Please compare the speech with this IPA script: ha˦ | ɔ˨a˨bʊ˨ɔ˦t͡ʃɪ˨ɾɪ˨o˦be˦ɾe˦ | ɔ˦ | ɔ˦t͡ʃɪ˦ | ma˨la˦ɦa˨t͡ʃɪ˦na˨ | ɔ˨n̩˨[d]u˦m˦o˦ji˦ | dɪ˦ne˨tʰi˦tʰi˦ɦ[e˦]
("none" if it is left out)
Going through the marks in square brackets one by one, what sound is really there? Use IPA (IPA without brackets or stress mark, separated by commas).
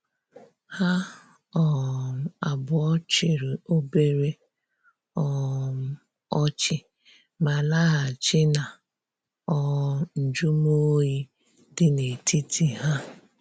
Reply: d͡ʒ, a˦